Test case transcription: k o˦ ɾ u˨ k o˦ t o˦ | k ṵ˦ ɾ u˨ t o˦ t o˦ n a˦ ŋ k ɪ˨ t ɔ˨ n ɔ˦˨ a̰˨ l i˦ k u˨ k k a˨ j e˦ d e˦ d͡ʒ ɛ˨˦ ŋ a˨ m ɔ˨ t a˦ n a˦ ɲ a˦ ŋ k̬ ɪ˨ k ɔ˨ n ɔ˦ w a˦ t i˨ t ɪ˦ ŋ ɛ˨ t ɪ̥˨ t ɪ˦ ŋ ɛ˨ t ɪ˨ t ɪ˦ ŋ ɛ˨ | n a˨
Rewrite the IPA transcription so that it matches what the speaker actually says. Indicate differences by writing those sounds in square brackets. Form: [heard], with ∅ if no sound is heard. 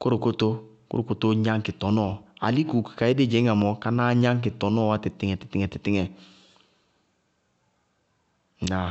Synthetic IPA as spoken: k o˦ ɾ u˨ k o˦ t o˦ | k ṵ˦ ɾ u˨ [k] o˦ t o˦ [ɲ] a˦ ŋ k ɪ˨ t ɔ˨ n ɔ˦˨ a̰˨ l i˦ k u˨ k k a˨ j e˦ d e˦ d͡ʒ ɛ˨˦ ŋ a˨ m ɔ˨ [k] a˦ n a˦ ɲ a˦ ŋ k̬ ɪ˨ [t] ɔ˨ n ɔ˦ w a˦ t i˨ t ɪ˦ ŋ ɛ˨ t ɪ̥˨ t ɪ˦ ŋ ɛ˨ t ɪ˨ t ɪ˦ ŋ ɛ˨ | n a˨

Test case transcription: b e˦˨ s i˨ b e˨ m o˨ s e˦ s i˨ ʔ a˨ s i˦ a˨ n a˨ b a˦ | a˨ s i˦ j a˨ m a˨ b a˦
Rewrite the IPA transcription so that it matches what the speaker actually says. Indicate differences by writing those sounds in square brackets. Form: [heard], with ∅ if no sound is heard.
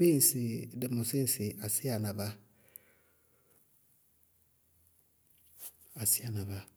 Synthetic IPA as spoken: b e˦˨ s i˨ [d] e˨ m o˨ s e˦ s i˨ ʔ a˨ s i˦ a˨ n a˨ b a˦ | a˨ s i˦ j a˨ [n] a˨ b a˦

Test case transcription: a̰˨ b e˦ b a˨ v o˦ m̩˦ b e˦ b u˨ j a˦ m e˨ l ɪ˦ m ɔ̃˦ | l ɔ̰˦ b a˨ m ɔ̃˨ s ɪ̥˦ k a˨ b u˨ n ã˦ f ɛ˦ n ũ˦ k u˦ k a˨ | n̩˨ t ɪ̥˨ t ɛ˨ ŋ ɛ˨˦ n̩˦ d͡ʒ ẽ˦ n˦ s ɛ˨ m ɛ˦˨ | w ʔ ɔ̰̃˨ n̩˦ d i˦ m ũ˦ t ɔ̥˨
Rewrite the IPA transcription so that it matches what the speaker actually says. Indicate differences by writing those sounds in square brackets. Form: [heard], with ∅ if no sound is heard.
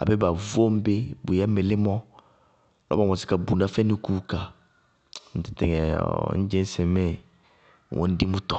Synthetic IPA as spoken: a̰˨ b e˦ b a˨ v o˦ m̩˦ b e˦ b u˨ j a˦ m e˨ l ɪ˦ m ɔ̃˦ | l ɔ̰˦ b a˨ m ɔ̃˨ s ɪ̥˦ k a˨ b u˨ n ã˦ f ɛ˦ n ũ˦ k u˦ k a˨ | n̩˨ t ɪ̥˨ t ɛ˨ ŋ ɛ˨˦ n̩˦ d͡ʒ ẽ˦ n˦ s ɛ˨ m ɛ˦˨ | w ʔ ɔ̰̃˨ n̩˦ d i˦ m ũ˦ t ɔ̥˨

